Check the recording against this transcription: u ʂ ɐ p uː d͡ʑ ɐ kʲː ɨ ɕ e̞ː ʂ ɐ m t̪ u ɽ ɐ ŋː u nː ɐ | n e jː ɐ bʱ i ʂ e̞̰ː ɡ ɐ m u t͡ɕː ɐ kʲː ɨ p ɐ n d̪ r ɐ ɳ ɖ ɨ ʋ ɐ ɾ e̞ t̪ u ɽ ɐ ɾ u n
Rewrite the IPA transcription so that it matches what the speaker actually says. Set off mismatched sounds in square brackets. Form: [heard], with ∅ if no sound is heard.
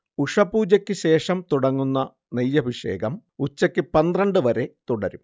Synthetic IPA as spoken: u ʂ ɐ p uː d͡ʑ ɐ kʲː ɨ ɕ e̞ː ʂ ɐ m t̪ u ɽ ɐ ŋː u nː ɐ | n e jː ɐ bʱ i ʂ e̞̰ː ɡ ɐ m u t͡ɕː ɐ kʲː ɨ p ɐ n d̪ r ɐ ɳ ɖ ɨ ʋ ɐ ɾ e̞ t̪ u ɽ ɐ ɾ u [m]